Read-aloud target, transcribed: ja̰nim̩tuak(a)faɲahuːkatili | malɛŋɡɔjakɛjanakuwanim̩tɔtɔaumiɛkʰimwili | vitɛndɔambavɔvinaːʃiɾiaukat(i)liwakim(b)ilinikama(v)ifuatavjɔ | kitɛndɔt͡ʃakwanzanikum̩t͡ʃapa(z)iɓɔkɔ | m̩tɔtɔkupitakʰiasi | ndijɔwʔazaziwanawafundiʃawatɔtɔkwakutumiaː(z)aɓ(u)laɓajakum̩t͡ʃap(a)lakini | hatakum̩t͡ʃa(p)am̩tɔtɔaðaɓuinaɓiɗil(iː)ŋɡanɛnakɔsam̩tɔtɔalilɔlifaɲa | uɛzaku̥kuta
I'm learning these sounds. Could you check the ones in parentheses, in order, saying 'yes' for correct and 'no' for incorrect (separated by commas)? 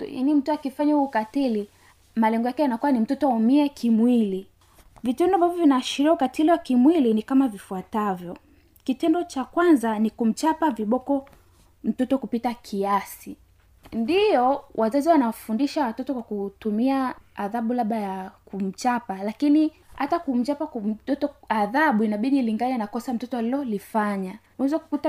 no, yes, no, yes, no, no, yes, yes, yes, no